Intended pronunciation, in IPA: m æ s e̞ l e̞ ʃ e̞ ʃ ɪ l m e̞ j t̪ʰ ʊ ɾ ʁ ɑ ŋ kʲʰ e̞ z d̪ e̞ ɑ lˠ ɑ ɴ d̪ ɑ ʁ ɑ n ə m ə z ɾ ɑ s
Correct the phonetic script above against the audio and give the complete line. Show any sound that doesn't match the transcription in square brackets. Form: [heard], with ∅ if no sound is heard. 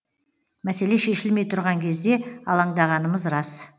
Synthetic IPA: m æ s e̞ l e̞ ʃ e̞ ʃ ɪ l m e̞ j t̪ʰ ʊ ɾ ʁ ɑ ŋ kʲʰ e̞ z d̪ e̞ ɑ lˠ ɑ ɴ d̪ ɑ ʁ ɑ n ə m ə z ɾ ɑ s